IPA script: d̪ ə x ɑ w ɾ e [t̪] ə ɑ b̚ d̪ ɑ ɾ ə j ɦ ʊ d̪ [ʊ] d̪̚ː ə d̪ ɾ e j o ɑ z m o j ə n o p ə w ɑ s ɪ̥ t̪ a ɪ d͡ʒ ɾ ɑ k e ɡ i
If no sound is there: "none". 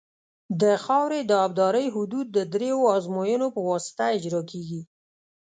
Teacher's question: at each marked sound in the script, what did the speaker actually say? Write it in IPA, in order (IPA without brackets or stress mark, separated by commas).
d̪, u